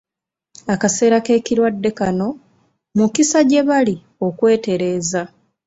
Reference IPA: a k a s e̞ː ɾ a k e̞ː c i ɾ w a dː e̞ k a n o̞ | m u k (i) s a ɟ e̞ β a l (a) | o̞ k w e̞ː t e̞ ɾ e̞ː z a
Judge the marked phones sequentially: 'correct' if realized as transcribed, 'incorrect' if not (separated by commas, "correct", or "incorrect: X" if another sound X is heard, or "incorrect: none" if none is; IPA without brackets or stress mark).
correct, incorrect: i